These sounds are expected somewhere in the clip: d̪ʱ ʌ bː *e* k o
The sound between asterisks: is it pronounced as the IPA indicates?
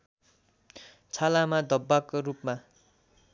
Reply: no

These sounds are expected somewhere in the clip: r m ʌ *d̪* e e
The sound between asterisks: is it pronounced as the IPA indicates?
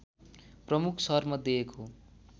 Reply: yes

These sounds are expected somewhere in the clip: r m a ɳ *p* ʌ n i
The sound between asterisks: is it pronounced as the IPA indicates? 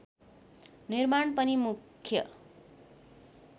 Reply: yes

